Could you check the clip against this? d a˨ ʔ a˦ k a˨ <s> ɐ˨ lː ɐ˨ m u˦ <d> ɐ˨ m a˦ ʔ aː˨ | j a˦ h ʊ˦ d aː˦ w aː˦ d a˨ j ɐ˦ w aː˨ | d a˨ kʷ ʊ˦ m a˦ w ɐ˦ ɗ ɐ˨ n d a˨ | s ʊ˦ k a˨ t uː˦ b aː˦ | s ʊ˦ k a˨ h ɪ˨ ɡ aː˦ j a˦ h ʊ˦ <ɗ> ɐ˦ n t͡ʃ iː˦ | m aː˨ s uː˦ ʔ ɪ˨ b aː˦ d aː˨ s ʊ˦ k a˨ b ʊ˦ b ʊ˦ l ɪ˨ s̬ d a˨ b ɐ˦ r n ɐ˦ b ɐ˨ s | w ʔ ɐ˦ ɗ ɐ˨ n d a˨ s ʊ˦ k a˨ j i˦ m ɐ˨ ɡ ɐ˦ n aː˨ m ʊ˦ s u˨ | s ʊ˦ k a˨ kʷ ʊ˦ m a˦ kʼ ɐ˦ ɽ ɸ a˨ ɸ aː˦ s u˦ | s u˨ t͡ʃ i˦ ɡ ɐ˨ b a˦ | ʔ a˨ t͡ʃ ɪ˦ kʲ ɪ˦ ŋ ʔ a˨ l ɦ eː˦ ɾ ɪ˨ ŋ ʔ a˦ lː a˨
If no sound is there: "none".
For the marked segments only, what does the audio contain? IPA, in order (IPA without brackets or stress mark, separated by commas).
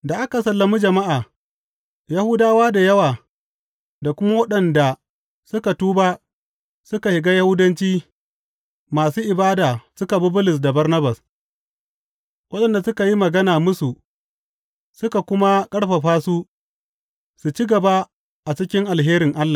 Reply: s, d͡ʒ, d